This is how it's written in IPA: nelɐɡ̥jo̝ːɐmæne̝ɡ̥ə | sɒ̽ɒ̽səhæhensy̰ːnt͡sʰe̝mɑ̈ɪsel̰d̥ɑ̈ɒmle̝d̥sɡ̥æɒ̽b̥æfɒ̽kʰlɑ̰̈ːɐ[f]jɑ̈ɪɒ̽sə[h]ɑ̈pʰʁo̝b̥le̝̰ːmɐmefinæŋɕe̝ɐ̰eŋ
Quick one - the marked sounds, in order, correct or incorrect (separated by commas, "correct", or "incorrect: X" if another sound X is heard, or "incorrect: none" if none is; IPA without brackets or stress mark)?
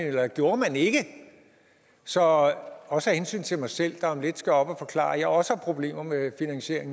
incorrect: none, correct